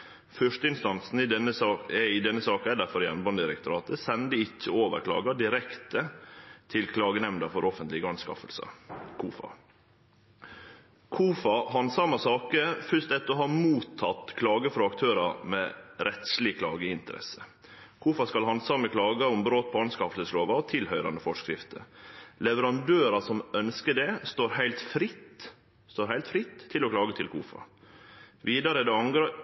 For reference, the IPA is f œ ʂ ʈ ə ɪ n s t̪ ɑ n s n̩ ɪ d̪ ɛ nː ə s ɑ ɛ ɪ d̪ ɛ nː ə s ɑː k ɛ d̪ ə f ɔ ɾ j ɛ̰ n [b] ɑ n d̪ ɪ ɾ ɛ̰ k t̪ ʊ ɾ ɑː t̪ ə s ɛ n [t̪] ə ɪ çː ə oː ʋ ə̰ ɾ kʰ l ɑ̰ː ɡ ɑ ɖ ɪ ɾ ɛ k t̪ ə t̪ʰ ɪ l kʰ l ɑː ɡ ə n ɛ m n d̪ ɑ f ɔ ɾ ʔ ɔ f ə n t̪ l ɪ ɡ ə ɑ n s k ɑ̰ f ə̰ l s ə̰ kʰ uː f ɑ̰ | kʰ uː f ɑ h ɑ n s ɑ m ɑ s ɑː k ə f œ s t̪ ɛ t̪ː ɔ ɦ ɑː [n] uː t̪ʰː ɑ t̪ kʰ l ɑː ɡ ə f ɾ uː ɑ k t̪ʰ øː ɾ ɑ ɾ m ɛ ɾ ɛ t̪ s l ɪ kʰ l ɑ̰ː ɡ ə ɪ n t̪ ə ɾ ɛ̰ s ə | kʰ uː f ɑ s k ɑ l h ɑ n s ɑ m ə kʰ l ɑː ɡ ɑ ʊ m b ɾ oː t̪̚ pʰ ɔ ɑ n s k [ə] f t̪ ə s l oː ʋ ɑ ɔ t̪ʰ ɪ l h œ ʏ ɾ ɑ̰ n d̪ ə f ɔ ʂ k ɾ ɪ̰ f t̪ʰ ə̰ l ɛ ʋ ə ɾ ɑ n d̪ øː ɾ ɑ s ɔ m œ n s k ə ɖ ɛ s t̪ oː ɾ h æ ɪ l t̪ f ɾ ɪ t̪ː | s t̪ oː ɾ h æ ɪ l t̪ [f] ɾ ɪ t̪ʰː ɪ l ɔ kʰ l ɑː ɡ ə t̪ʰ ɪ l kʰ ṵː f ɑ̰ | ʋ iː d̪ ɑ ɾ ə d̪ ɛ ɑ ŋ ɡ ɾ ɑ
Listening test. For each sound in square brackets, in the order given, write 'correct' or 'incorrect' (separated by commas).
correct, incorrect, incorrect, incorrect, correct